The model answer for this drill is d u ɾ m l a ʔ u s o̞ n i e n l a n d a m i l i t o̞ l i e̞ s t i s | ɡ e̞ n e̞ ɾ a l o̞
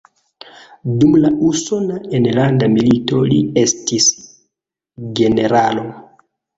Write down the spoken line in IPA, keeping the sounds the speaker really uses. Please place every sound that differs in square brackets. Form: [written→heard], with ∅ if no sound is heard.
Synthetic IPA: d u [ɾ→∅] m l a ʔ u s o̞ n [i→a] e n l a n d a m i l i t o̞ l i e̞ s t i s | ɡ e̞ n e̞ ɾ a l o̞